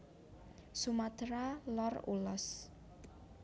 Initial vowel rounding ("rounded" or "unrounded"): rounded